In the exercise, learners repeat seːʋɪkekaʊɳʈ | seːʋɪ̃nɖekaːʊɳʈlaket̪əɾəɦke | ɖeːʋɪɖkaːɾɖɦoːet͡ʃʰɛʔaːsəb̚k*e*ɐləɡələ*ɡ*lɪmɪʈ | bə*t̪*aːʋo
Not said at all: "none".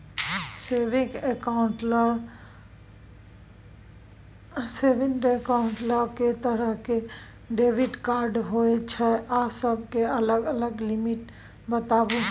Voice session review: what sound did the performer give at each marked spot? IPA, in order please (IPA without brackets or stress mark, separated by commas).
e, ɡ, t̪